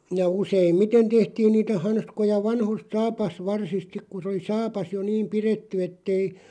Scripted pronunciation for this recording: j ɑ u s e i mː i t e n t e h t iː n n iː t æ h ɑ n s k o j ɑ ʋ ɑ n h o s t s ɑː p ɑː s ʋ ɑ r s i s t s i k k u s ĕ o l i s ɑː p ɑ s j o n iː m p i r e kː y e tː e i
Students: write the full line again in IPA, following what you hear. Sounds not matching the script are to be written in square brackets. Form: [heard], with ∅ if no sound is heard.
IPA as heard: j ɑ u s e i mː i t e n t e h t iː n n iː t æ h ɑ n s k o j ɑ ʋ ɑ n h o s t s ɑː p [ɑ] s ʋ ɑ r s i s t s i k k u s ĕ o l i s ɑː p ɑ s j o n iː m p i r e [tː] y e tː e i